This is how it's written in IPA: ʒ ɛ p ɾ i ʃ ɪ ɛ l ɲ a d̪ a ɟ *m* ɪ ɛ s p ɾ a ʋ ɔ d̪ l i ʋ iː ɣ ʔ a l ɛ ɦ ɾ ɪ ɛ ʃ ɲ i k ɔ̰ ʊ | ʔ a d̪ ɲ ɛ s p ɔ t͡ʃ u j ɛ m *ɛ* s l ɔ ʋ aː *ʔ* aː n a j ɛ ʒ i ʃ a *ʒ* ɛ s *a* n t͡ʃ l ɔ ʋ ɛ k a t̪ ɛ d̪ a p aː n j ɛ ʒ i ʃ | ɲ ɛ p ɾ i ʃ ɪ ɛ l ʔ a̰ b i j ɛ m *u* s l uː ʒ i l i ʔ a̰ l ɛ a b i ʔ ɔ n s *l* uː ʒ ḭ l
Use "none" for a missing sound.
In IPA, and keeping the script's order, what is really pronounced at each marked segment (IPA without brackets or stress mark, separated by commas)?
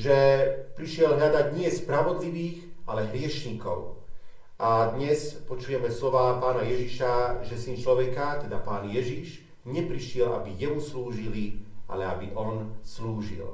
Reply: ɲ, ɛ, p, ʒ, i, u, l